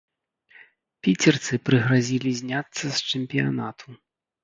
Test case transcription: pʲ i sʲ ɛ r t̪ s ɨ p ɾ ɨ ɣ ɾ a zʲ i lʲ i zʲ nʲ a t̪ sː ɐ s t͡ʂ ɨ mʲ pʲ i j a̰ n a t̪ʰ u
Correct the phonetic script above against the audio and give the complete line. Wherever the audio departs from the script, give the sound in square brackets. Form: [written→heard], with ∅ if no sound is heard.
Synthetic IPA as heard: pʲ i [sʲ→t͡sʲ] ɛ r t̪ s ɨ p ɾ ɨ ɣ ɾ a zʲ i lʲ i zʲ nʲ a t̪ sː ɐ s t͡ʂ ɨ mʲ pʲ i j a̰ n a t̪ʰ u